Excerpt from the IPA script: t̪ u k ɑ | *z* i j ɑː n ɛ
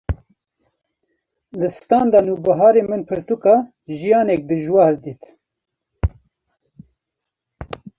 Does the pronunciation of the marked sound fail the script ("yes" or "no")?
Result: yes